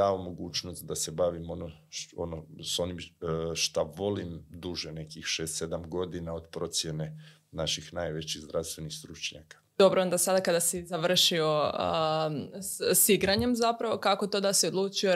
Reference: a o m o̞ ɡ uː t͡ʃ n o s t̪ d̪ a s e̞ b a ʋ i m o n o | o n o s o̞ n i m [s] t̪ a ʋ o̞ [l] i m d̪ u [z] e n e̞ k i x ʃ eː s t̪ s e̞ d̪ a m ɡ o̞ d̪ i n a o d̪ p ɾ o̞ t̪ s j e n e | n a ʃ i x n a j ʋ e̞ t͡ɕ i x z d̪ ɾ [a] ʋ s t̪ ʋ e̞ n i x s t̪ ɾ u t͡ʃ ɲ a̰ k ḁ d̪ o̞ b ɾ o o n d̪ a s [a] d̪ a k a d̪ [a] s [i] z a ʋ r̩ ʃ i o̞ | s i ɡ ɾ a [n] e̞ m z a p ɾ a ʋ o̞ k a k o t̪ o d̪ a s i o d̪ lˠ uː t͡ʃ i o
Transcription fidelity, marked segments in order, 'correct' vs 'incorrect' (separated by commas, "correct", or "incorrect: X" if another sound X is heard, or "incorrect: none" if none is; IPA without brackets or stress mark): incorrect: ʃ, correct, incorrect: ʒ, correct, correct, correct, correct, incorrect: ɲ